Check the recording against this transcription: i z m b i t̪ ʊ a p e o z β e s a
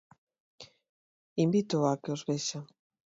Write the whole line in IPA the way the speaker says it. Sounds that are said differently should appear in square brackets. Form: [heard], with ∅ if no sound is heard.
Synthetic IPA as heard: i [∅] m b i t̪ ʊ a [k] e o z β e [ʃ] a